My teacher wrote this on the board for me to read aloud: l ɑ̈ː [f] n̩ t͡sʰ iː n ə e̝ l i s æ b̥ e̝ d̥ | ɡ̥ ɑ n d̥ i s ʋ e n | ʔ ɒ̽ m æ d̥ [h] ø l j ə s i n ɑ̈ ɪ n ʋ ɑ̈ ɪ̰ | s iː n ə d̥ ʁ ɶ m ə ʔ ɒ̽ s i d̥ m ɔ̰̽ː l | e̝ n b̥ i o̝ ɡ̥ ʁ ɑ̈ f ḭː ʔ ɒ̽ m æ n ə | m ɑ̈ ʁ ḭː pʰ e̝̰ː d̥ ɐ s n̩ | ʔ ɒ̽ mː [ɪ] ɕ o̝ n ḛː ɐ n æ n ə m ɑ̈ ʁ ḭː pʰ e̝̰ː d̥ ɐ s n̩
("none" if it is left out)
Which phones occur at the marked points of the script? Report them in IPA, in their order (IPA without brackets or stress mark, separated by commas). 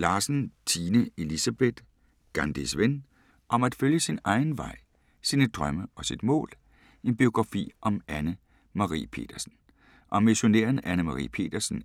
s, f, i